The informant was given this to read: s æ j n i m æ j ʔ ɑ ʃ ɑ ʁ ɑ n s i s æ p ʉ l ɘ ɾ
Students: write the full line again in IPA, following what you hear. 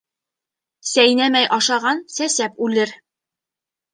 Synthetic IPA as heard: s æ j n æ m æ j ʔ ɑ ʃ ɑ ʁ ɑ n s æ s æ p ʉ l ɘ ɾ